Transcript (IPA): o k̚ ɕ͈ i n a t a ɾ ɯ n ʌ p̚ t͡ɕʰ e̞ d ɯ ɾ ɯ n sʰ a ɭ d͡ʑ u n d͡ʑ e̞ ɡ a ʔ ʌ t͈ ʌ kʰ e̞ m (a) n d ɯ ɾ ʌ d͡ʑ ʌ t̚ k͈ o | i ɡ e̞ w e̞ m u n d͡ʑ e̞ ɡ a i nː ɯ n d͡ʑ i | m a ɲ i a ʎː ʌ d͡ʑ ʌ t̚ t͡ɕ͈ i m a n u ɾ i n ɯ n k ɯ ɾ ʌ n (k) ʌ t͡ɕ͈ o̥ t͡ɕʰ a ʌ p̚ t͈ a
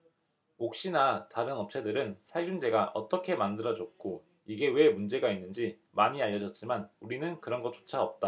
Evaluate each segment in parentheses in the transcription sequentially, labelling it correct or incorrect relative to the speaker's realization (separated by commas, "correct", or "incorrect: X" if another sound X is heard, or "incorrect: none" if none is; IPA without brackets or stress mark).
correct, incorrect: ɡ